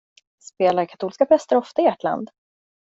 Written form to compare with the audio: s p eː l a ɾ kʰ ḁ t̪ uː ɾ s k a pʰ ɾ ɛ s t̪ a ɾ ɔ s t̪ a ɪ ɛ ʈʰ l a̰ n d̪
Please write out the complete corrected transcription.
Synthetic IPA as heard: s p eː l a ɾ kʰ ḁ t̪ uː l s k a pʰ ɾ ɛ s t̪ ə ɾ ɔ f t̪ a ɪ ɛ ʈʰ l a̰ n d̪